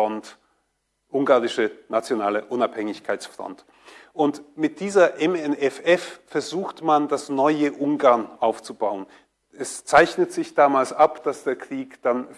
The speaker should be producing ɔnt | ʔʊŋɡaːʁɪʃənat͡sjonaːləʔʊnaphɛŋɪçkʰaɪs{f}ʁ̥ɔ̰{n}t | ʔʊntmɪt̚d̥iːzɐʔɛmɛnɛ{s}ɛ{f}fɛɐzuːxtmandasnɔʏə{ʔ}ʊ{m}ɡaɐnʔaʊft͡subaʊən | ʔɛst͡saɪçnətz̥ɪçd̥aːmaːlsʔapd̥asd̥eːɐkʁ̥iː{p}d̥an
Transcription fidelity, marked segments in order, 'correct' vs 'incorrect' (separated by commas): correct, correct, incorrect, correct, correct, incorrect, incorrect